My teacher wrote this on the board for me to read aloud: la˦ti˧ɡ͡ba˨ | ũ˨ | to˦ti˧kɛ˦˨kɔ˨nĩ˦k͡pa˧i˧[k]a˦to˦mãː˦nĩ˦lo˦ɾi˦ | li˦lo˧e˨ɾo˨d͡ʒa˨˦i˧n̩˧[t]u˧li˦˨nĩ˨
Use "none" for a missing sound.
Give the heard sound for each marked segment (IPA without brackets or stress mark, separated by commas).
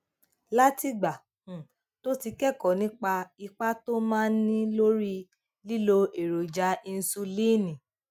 k͡p, s